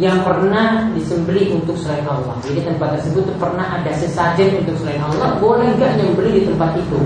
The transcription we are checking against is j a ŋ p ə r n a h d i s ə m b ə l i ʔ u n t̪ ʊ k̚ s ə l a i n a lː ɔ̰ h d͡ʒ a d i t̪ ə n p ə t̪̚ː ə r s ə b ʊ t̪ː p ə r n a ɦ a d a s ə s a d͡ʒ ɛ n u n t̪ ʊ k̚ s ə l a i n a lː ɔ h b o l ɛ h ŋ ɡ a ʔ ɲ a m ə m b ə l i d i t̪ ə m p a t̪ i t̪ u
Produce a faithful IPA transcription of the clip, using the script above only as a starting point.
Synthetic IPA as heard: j a ŋ p ə r n a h d i s ə m b ə l i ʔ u n t̪ ʊ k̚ s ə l a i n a lː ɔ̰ h d͡ʒ a d i t̪ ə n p a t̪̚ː ə r s ə b ʊ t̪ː p ə r n a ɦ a d a s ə s a d͡ʒ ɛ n u n t̪ ʊ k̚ s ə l a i n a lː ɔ h b o l ɛ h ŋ ɡ a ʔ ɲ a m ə m b ə l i d i t̪ ə m p a t̪ i t̪ u